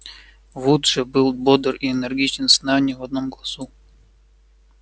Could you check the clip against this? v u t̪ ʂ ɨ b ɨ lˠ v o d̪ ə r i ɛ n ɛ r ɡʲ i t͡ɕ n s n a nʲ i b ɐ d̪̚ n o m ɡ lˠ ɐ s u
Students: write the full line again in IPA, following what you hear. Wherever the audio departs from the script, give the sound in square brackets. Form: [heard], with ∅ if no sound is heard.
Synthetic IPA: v u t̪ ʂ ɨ b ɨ lˠ [b] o d̪ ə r i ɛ n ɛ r ɡʲ i t͡ɕ n s n a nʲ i [v] ɐ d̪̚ n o m ɡ lˠ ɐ s u